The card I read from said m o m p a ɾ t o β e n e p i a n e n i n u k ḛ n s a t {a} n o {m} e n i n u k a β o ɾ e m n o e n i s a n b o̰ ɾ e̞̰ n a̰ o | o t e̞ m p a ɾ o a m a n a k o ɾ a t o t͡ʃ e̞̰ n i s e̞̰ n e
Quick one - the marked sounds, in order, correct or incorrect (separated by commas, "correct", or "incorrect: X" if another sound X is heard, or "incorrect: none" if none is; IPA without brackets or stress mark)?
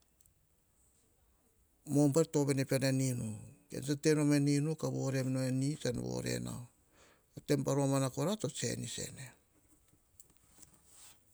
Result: incorrect: e, correct